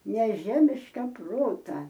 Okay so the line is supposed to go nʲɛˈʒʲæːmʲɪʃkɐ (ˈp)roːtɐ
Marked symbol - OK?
yes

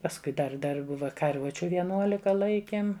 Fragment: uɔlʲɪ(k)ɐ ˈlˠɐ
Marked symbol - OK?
yes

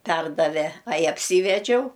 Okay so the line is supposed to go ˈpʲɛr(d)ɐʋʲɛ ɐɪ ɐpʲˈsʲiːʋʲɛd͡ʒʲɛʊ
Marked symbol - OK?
yes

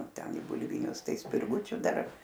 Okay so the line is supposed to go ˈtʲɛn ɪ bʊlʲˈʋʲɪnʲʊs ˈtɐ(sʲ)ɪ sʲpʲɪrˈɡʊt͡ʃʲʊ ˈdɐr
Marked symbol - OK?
no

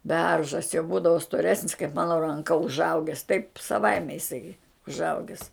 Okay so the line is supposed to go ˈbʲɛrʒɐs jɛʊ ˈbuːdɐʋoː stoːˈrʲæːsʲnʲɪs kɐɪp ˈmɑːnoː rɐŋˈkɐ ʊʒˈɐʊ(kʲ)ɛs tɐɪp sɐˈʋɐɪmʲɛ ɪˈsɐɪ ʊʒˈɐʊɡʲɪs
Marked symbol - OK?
no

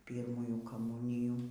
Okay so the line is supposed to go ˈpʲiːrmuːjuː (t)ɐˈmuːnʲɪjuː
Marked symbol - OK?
no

